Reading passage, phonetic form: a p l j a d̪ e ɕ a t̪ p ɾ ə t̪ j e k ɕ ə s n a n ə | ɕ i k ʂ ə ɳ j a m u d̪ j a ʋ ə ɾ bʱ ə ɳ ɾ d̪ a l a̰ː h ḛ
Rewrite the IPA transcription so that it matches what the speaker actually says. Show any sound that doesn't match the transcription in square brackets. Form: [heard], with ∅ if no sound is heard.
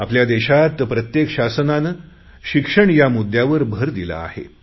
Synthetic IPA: a p l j a d̪ e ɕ a t̪ p ɾ ə t̪ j e k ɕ [a] s n a n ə | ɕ i k ʂ ə ɳ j a m u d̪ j a ʋ ə ɾ bʱ ə [∅] ɾ d̪ [i] l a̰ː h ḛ